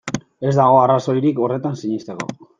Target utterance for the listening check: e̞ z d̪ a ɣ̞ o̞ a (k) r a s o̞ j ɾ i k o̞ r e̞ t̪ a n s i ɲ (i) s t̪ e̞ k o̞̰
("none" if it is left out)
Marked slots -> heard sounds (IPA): none, i

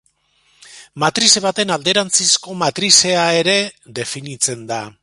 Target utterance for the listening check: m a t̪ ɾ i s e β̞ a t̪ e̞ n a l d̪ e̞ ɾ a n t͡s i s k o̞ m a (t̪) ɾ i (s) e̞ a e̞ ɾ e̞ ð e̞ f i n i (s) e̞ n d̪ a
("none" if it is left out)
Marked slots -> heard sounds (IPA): t̪, s, t͡s

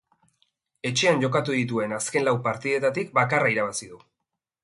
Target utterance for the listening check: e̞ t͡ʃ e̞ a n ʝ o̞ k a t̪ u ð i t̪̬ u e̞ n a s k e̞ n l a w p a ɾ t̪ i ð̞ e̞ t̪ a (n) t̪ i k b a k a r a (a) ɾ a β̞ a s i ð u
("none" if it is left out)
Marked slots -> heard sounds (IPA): none, i

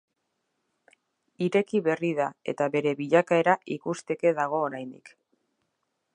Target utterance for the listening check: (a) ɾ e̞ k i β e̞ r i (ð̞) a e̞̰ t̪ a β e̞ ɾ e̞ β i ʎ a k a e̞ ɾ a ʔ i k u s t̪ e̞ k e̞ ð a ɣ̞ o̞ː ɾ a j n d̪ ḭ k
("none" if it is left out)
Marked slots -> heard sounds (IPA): i, ð̞

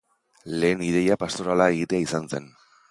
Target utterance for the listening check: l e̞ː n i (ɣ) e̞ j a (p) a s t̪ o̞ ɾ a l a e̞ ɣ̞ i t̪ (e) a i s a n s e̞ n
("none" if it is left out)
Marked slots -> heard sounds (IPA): ð, p, e

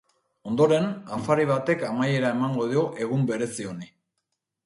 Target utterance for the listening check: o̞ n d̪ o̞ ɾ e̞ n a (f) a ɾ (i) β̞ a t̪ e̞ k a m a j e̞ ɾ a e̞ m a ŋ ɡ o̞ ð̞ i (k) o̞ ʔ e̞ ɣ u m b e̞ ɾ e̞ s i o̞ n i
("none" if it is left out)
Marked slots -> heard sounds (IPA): f, i, none

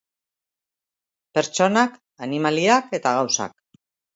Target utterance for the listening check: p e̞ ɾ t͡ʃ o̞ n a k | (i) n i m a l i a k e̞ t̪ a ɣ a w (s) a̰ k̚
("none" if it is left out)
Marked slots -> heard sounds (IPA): a, s

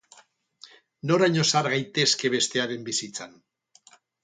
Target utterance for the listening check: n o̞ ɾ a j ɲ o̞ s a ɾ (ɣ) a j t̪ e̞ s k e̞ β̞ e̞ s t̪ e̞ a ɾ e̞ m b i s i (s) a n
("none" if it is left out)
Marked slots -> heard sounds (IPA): ɣ, t͡s

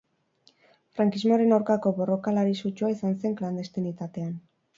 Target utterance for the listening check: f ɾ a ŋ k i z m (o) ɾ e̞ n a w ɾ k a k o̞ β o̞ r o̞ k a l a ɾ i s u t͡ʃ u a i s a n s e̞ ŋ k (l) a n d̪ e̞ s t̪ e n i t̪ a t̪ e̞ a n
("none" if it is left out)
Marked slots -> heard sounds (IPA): o, l

